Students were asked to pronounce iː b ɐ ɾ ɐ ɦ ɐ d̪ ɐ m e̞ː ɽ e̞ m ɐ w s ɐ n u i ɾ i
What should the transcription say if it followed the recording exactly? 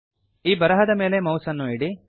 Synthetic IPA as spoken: iː b ɐ ɾ ɐ ɦ ɐ d̪ ɐ m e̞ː l e̞ m ɐ w s ɐ nː u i ɽ i